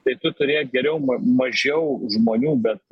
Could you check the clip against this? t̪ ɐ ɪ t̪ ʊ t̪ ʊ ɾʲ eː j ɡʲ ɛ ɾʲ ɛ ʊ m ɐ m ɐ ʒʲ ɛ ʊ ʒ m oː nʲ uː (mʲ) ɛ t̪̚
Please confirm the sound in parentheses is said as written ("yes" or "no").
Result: no